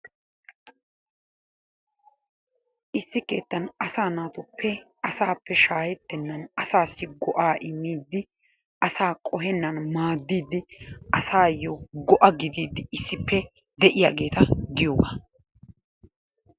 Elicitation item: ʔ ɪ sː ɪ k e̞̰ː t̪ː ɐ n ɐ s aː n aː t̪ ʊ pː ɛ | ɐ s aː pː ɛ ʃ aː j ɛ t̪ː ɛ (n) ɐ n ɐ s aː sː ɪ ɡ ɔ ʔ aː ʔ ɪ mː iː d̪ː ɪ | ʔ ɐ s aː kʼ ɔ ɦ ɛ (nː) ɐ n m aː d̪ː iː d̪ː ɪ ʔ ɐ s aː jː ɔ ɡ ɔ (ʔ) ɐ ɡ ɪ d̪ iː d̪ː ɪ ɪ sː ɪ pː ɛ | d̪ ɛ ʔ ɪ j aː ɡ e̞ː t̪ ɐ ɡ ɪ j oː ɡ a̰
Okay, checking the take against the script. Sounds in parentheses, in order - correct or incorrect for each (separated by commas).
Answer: incorrect, correct, correct